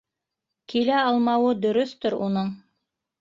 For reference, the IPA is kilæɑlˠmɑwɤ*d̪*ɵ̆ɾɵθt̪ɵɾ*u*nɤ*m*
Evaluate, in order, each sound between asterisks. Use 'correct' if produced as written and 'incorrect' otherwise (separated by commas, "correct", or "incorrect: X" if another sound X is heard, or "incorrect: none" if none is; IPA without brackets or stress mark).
correct, correct, incorrect: ɴ